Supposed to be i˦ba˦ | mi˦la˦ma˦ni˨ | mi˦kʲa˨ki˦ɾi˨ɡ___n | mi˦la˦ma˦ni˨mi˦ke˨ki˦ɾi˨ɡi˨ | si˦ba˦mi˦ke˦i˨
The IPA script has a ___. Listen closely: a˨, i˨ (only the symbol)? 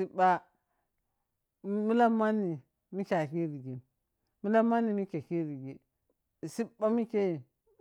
i˨